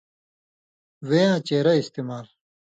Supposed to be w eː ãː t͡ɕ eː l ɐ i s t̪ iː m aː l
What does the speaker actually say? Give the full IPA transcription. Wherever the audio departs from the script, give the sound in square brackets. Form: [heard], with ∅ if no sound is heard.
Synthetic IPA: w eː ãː t͡ɕ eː [ɾ] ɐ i s t̪ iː m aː l